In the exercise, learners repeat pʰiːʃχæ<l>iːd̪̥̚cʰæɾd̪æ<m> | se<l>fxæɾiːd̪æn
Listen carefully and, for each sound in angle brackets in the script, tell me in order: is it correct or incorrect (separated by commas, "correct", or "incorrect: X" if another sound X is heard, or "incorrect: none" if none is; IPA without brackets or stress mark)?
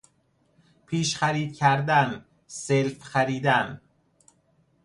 incorrect: ɾ, incorrect: n, correct